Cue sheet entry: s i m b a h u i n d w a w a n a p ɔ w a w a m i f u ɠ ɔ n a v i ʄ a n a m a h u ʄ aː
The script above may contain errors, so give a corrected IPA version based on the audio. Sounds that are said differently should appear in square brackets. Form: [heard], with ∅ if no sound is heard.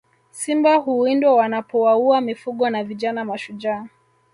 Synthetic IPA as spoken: s i m b a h u i n d w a w a n a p ɔ w a [u] a m i f u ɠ ɔ n a v i ʄ a n a m a [ʃ] u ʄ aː